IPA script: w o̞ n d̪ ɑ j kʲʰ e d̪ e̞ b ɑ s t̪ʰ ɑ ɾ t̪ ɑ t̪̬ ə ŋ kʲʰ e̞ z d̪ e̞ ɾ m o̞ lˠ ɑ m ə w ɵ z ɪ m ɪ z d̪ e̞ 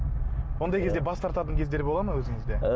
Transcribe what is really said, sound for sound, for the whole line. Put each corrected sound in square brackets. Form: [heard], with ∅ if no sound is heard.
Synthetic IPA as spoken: w o̞ n d̪ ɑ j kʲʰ e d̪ e̞ b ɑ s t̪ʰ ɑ ɾ t̪ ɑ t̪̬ ə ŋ kʲʰ e̞ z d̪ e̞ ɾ [b] o̞ lˠ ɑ m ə w ɵ z ɪ [ŋ] ɪ z d̪ e̞